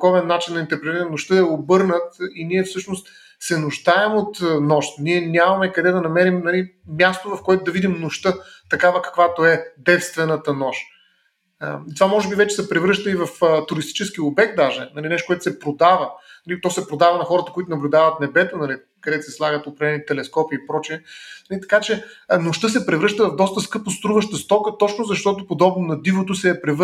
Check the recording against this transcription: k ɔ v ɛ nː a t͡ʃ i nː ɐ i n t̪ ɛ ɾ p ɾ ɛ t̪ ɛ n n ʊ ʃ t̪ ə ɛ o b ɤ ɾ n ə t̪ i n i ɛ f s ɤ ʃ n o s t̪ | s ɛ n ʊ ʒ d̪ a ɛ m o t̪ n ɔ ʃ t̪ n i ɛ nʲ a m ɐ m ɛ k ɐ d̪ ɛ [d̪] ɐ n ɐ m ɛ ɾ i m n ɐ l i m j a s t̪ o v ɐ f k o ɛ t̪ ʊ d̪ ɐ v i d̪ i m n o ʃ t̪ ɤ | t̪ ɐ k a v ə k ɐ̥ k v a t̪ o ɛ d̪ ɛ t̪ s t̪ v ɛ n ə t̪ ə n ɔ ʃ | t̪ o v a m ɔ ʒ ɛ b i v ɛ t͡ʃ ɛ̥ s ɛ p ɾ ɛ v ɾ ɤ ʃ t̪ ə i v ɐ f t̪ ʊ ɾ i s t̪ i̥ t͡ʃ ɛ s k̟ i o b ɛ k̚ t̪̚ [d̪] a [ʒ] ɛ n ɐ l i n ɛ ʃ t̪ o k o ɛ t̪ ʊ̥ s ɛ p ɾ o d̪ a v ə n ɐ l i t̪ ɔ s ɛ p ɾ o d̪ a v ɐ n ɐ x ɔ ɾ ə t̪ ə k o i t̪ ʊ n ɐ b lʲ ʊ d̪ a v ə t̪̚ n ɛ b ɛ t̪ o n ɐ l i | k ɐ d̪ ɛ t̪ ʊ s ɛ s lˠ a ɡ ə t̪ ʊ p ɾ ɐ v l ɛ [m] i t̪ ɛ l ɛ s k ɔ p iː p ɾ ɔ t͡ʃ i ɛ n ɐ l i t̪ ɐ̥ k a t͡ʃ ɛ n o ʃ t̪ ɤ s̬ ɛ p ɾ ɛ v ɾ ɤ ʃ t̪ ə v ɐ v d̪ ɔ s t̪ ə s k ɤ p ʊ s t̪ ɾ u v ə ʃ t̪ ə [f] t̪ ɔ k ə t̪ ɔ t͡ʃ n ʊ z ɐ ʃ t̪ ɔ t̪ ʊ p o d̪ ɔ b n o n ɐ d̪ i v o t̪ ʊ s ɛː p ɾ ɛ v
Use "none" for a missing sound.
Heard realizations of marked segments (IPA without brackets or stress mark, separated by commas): d̪, d̪, ʒ, n, s